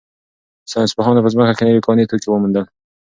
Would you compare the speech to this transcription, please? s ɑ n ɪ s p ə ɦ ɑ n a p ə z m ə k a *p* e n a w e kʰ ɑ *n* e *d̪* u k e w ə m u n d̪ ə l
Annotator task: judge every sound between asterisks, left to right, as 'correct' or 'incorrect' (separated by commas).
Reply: incorrect, correct, incorrect